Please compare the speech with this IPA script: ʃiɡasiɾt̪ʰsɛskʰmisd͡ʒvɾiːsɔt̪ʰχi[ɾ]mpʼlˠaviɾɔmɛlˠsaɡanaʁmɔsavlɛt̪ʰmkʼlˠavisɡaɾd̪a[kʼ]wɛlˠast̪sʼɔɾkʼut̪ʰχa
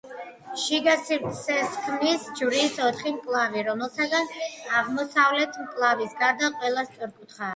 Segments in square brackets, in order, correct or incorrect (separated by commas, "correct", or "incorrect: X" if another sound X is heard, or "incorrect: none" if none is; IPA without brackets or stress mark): incorrect: none, incorrect: qʼ